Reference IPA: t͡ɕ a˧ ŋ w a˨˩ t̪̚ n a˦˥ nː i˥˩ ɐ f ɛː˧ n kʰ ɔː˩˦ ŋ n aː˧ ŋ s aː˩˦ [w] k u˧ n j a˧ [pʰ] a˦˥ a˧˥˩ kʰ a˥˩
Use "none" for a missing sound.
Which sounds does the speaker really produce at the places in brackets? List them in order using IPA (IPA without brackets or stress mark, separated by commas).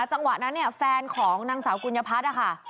w, pʰ